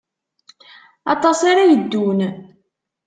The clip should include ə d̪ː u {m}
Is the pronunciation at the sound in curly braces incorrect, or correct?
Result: incorrect